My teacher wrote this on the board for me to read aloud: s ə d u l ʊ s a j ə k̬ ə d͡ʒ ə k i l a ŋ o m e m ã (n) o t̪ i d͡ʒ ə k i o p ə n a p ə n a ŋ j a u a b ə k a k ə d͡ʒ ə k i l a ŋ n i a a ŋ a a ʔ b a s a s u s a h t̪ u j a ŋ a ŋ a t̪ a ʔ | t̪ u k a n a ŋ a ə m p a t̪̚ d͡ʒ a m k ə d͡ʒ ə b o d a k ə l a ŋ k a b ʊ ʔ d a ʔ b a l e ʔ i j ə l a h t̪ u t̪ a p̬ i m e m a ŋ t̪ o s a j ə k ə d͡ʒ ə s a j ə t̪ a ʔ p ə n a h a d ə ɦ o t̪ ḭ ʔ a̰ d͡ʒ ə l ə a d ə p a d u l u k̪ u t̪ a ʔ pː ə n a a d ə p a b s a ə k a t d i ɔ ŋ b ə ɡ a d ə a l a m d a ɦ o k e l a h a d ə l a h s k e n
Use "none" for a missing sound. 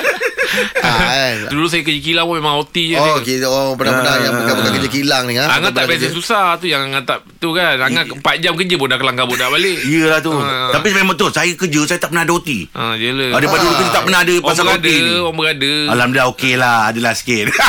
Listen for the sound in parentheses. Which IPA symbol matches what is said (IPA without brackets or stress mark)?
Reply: ŋ